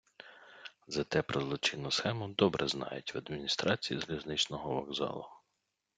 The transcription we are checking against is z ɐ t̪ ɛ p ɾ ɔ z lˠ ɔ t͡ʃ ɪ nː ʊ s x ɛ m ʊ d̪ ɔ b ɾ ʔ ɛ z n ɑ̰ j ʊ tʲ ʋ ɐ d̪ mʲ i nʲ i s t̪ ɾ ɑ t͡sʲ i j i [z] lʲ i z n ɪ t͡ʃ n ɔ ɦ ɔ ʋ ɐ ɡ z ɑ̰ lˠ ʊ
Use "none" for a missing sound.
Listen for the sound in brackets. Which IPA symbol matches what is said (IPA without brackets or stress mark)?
z